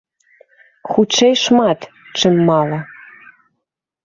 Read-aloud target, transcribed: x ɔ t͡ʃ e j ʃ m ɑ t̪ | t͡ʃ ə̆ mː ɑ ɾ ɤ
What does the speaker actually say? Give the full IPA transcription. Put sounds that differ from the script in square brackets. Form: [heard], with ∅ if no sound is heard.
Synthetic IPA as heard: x [u] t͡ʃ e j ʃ m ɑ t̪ | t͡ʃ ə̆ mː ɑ [l] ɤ